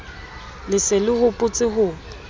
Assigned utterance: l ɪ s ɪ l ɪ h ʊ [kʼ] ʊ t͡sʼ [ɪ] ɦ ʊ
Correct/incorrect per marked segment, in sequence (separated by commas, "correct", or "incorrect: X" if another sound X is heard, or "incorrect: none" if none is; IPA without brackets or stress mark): incorrect: pʼ, correct